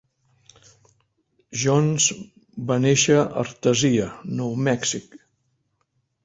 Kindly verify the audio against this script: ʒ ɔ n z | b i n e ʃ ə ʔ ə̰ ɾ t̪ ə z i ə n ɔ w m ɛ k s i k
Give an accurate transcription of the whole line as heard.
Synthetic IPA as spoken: ʒ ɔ n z | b a n e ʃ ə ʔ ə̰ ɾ t̪ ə z i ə n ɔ w m ɛ k s i k